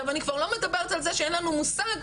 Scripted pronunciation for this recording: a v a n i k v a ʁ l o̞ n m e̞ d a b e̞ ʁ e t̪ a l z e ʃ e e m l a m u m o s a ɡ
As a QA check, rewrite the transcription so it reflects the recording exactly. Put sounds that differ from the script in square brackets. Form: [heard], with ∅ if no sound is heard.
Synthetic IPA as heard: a v a n i k v a ʁ l o̞ [∅] m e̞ d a b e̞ ʁ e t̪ a l z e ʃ e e [n] l a [n] u m [u] s a ɡ